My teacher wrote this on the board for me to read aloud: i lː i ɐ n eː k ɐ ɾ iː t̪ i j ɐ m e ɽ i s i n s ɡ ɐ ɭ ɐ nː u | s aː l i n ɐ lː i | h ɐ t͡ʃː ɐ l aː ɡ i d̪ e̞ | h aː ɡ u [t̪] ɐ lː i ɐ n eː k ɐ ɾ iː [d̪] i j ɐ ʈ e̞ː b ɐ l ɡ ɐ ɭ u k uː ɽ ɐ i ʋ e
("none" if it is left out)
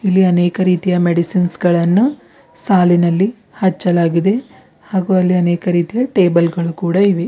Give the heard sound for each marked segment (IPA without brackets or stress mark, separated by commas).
none, t̪